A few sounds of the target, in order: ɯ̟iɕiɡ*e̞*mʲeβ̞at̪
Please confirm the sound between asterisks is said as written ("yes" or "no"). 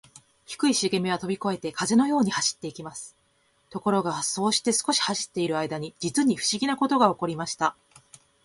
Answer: yes